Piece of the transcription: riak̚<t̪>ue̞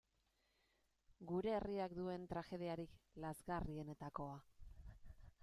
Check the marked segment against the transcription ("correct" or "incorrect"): incorrect